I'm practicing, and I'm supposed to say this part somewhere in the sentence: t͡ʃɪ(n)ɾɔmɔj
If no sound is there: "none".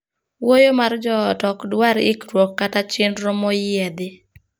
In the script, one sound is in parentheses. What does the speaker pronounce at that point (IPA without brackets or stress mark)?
n